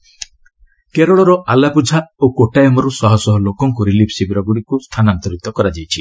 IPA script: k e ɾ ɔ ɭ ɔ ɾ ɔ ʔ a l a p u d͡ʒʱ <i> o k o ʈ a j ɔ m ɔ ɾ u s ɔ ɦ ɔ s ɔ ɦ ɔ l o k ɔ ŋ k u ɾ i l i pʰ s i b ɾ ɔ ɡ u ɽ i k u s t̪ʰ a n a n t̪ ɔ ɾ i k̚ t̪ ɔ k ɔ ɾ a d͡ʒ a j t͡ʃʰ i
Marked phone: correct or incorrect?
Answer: incorrect